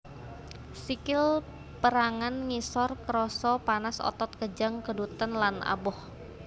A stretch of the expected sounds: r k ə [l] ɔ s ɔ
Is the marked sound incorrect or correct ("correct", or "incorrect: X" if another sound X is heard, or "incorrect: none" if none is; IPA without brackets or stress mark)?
incorrect: ɾ